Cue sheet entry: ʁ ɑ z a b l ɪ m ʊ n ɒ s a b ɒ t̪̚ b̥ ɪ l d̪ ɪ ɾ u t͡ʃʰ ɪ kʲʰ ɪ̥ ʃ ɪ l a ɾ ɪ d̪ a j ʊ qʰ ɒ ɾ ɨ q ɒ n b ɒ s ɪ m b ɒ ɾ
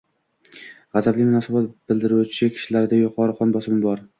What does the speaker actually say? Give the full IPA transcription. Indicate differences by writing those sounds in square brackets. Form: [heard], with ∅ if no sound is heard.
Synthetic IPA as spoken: ʁ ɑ z a b l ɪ m ʊ n ɒ s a b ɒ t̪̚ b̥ ɪ l d̪ ɪ ɾ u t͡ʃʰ ɪ kʲʰ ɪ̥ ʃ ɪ l a ɾ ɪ d̪ a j ʊ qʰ ɒ ɾ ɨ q ɒ n b ɒ s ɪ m b ɒ ɾ